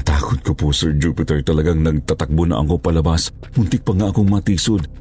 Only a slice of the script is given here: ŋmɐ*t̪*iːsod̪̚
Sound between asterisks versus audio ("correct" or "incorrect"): correct